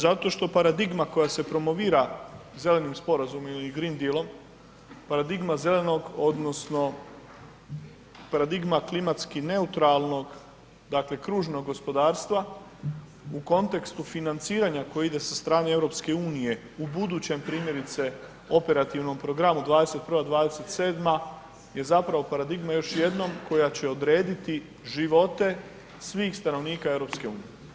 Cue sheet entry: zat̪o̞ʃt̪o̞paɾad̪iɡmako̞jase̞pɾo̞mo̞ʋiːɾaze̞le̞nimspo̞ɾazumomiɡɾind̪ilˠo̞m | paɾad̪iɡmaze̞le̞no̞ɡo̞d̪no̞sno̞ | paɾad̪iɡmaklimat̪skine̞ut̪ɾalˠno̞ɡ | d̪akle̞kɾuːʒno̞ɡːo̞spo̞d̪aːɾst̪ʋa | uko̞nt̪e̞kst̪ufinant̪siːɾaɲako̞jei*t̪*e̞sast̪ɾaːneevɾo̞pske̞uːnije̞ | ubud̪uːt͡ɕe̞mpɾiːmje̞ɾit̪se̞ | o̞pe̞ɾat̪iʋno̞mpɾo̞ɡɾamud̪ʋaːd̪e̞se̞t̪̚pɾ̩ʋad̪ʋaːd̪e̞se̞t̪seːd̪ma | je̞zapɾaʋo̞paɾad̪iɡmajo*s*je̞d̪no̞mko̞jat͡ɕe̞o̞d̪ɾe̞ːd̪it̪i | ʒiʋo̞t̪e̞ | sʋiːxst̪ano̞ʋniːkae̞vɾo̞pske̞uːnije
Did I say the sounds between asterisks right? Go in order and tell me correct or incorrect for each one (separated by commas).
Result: incorrect, incorrect